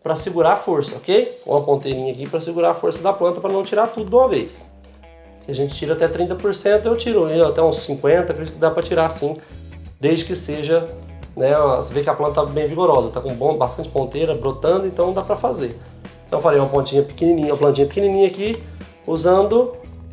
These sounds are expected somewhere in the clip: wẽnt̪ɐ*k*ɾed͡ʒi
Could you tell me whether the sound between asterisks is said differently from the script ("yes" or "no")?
no